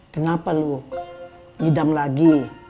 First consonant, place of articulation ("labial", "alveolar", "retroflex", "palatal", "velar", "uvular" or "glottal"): velar